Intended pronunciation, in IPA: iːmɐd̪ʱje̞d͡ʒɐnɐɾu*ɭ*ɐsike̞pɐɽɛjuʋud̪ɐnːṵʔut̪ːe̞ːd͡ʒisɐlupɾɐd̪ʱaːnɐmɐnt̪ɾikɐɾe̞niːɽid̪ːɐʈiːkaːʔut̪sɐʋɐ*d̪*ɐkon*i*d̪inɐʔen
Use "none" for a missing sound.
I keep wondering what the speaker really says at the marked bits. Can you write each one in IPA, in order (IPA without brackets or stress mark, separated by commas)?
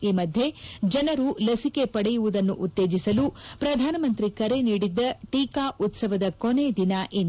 l, d̪, e